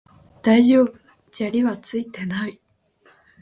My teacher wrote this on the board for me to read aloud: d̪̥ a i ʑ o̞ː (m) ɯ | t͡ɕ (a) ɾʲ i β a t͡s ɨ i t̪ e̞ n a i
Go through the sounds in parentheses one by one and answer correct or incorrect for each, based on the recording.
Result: incorrect, correct

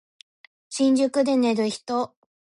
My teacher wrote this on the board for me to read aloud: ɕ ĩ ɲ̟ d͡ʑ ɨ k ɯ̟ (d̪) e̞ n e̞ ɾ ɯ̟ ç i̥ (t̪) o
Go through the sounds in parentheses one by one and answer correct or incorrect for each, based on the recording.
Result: correct, correct

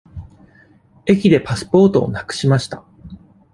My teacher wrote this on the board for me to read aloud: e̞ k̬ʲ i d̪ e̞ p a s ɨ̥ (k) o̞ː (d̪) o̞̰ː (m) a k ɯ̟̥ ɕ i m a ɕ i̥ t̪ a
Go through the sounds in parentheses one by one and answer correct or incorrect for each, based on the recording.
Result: incorrect, incorrect, incorrect

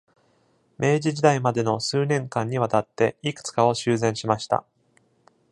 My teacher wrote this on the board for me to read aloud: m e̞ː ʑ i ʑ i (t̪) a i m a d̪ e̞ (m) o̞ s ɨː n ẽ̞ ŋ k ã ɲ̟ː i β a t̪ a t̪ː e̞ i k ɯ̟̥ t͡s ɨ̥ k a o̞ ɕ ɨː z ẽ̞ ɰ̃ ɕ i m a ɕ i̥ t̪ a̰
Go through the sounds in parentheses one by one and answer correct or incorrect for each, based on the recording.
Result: incorrect, incorrect

